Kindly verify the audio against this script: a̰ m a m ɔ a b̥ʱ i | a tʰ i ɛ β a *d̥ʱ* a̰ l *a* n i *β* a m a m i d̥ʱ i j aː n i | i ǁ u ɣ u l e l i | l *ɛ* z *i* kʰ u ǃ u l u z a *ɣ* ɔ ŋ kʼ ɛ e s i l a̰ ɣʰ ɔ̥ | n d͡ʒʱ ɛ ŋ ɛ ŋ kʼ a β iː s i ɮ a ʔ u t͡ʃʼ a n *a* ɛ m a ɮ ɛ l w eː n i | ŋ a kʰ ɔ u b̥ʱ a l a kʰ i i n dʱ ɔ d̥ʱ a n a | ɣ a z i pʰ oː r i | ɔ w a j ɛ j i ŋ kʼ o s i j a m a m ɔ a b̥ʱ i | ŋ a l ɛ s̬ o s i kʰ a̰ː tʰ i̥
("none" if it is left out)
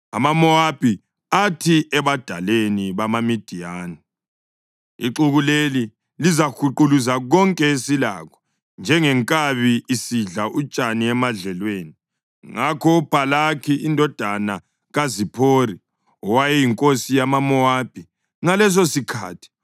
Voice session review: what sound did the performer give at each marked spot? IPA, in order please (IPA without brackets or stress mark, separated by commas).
d̥ʱ, e, β, i, a, ɣ, i